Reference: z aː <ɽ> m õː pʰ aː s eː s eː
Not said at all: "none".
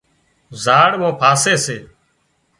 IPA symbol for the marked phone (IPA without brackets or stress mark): ɽ